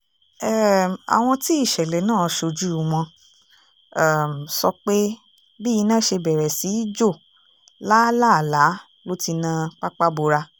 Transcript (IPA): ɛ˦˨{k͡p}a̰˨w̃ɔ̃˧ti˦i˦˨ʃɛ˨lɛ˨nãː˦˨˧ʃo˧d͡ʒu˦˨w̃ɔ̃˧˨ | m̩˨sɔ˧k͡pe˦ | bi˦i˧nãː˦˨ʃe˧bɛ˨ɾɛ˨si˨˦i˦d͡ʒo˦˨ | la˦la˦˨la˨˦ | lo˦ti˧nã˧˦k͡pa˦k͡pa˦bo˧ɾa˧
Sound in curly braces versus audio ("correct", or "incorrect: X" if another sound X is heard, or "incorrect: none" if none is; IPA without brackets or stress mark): incorrect: none